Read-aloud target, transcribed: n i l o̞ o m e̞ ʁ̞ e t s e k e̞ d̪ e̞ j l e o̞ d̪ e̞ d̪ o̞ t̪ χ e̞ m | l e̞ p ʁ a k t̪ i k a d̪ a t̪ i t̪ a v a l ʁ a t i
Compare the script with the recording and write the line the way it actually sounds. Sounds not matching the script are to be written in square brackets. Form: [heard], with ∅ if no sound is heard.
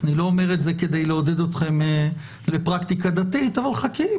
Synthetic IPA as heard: n i l o̞ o m e̞ ʁ̞ e t [z] e k e̞ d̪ e̞ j l e o̞ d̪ e̞ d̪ o̞ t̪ χ e̞ m | l e̞ p ʁ a k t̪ i k a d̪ a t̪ i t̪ a v a l [χ] a [k] i